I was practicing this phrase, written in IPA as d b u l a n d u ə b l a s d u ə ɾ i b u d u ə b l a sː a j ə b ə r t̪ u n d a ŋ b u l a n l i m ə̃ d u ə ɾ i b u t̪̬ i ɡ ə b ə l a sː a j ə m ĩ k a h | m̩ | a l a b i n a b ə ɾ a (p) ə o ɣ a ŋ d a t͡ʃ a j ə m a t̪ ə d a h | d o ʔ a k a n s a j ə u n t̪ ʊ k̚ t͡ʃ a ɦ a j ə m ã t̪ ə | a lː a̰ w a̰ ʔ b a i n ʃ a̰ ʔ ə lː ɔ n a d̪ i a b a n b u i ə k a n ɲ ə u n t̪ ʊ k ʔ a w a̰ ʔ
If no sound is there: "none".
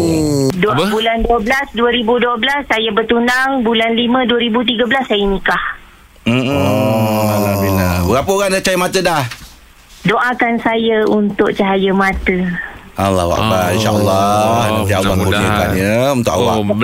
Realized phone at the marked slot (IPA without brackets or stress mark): p